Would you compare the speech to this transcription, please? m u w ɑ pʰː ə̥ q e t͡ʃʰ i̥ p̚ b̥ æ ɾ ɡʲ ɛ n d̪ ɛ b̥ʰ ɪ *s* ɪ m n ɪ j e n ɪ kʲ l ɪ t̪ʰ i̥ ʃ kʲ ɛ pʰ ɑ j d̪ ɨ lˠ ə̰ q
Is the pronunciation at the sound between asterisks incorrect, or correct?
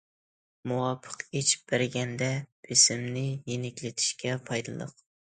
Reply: correct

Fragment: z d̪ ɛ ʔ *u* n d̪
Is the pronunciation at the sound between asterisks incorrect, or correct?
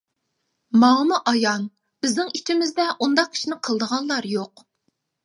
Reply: correct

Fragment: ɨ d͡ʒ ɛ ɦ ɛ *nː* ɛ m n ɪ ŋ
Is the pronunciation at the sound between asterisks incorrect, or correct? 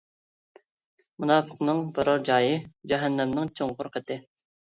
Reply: correct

